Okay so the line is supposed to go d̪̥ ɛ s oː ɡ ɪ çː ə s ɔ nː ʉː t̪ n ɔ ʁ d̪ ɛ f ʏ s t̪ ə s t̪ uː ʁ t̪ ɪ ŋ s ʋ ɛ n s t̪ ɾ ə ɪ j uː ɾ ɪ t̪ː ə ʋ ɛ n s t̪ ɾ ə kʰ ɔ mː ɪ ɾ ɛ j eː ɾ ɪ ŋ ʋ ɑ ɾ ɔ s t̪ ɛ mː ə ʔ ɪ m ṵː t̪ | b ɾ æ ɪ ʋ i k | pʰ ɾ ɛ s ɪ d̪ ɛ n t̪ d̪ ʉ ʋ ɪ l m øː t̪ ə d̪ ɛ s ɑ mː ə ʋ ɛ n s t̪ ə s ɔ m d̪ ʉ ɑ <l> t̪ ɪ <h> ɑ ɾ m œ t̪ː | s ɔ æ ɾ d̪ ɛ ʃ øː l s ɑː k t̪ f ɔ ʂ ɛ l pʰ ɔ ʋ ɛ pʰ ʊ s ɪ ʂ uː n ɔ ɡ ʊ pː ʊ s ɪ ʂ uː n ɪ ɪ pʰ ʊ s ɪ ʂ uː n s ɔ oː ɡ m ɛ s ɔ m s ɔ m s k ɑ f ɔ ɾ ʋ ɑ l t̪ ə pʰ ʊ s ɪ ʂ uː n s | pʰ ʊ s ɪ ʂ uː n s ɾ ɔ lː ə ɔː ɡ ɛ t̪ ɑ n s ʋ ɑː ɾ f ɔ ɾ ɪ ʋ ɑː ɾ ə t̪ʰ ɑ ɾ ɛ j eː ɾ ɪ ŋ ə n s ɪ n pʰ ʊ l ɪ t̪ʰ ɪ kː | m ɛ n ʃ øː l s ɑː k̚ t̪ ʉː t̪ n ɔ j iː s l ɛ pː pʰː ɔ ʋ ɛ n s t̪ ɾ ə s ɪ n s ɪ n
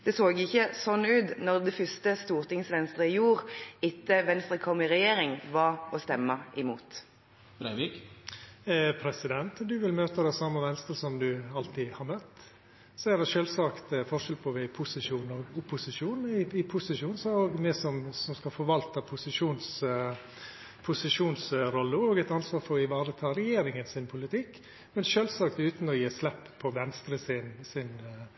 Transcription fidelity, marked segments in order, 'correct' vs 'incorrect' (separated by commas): correct, correct